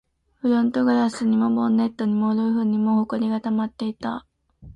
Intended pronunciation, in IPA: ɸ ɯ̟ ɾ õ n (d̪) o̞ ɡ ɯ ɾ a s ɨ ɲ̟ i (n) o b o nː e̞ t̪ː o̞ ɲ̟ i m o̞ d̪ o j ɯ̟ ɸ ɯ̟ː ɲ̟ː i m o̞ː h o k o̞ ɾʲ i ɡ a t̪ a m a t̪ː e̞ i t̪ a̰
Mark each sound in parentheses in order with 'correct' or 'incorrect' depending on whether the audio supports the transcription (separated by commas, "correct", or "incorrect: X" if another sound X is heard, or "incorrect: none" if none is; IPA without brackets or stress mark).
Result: incorrect: t̪, incorrect: m